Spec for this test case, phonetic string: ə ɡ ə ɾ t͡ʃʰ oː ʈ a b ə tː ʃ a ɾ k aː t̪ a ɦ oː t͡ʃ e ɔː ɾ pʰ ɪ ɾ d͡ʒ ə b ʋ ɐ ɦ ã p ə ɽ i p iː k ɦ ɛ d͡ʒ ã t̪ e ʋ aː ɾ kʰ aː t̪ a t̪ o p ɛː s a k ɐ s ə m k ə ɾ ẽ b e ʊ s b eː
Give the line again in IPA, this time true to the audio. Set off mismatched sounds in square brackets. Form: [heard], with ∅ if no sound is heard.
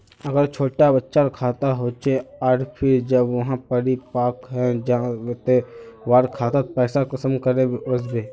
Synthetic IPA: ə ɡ ə ɾ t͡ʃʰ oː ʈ a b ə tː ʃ a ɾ [kʰ] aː t̪ a ɦ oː t͡ʃ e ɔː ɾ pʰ ɪ ɾ d͡ʒ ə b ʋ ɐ ɦ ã p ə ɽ i p [aː] k ɦ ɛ d͡ʒ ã t̪ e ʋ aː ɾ kʰ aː t̪ a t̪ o p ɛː s a k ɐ s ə m k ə ɾ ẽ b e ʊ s b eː